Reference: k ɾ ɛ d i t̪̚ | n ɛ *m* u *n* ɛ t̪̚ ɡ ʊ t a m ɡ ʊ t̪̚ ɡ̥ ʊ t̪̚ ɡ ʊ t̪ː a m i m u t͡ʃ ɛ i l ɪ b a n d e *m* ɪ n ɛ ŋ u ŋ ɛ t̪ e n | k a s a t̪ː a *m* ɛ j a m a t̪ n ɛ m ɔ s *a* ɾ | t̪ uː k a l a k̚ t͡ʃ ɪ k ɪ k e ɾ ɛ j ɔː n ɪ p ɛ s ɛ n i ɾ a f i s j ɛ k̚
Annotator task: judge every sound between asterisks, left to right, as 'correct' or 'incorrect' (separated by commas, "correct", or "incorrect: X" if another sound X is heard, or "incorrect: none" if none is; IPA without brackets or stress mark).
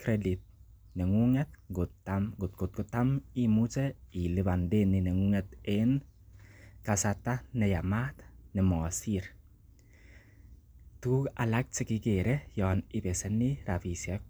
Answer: incorrect: ŋ, incorrect: ŋ, incorrect: n, incorrect: n, incorrect: i